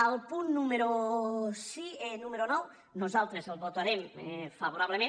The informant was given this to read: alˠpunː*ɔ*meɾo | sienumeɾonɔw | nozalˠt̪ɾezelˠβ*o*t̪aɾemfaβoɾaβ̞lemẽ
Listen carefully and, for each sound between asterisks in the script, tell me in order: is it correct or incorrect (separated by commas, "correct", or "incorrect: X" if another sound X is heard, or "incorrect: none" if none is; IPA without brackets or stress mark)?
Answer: incorrect: u, correct